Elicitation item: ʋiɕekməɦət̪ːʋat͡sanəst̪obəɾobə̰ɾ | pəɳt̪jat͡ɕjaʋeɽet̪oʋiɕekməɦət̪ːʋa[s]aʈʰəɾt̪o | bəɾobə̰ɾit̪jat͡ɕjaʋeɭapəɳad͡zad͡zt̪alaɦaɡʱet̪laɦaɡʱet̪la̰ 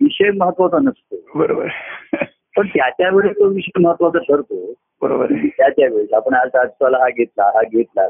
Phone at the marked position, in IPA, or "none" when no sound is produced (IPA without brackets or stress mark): t͡s